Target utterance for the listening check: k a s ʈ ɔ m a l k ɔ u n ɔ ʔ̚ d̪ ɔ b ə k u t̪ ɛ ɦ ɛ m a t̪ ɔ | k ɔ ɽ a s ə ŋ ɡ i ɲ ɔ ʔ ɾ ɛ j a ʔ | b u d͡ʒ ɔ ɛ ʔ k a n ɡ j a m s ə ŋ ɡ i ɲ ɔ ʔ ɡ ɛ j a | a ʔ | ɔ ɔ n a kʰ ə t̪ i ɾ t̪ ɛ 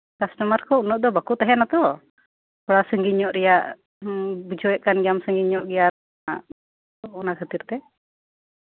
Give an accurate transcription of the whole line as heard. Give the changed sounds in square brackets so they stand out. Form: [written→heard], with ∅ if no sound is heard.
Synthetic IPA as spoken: k a s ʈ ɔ m a [l→ɾ] k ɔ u n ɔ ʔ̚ d̪ ɔ b [ə→a] k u t̪ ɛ ɦ ɛ [m→n] a t̪ ɔ | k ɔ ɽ a s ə ŋ ɡ i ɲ ɔ ʔ ɾ ɛ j a ʔ | b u d͡ʒ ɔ ɛ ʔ k a n ɡ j a m s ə ŋ ɡ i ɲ ɔ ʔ ɡ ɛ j a | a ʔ | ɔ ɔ n a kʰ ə t̪ i ɾ t̪ ɛ